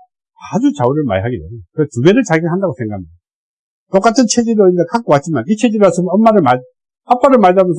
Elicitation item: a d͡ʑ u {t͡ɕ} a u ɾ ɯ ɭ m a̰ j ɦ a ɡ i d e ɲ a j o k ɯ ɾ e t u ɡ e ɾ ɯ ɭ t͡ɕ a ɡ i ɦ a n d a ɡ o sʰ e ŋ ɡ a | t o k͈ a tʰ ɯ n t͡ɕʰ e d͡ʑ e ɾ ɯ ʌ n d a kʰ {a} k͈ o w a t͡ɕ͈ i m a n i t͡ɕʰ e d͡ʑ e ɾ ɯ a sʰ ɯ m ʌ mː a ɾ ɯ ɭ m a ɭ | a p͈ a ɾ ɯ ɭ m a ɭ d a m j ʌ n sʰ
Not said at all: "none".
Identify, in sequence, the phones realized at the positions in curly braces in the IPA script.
t͡ɕ, a

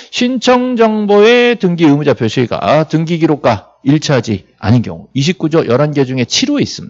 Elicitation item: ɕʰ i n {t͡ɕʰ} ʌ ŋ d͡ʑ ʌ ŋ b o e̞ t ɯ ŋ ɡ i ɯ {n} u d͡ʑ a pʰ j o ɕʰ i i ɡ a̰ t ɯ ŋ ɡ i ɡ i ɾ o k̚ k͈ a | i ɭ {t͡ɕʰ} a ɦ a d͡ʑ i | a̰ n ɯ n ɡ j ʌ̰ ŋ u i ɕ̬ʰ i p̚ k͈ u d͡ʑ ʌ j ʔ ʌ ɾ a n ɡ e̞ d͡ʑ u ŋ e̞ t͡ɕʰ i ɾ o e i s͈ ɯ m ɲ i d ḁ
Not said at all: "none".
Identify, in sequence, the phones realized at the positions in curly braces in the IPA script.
t͡ɕʰ, m, t͡ɕʰ

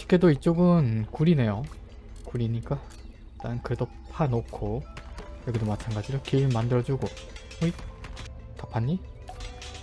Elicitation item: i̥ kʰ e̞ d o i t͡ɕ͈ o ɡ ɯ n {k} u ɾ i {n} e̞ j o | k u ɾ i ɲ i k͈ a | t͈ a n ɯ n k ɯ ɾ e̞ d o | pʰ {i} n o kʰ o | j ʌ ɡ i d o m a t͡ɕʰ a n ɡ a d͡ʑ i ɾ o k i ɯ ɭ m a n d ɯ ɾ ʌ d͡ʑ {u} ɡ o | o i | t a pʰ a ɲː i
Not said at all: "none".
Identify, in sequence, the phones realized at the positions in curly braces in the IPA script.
k, n, a, u

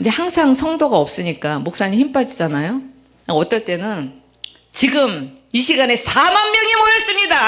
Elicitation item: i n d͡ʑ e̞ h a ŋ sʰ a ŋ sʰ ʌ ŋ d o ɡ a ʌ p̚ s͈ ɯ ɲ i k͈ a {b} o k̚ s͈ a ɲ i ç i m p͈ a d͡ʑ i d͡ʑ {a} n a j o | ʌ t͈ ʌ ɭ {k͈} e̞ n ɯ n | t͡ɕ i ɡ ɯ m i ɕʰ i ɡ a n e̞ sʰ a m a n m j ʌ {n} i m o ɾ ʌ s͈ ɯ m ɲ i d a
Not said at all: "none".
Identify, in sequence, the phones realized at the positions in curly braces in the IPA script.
m, a, t͈, ŋ

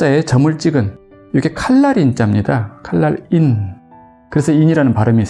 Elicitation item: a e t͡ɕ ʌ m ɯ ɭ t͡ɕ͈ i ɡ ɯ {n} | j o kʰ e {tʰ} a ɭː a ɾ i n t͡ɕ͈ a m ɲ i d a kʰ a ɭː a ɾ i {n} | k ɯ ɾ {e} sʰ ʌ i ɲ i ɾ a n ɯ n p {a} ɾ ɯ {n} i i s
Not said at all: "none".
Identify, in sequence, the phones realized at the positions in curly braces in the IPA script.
n, kʰ, n, e, a, m

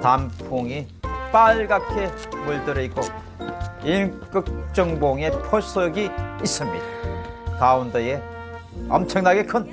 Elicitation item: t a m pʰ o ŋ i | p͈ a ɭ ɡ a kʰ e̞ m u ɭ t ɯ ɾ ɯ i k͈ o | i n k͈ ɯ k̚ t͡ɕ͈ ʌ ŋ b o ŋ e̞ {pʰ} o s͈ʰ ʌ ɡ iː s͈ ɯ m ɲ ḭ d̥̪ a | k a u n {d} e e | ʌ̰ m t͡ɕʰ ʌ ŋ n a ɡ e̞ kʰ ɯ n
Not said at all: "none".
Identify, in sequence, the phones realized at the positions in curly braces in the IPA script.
pʰ, d

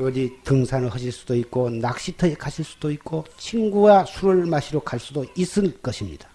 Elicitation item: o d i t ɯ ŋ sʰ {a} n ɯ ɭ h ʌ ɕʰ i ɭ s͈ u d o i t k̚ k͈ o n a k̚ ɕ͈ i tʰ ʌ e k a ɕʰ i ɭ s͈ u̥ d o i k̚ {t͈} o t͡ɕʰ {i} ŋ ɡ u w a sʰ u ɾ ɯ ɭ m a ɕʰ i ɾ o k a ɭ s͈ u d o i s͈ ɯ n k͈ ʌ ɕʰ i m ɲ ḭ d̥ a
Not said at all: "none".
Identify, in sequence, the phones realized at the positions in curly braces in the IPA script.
a, k͈, i

